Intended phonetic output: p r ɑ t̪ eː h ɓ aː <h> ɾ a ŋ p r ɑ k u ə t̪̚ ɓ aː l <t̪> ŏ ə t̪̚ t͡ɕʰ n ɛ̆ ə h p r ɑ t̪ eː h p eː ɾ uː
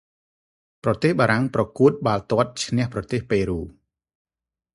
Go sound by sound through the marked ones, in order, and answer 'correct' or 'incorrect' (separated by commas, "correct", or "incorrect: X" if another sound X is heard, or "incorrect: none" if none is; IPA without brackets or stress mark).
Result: incorrect: none, correct